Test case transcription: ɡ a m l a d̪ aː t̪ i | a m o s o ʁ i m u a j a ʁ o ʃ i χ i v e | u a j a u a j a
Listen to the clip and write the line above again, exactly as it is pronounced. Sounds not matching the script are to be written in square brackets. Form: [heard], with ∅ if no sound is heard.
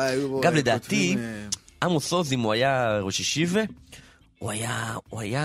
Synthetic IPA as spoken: ɡ a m l [e] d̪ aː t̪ i | a m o s o [z] i m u a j a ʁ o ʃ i [ʃ] i v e | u a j a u a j a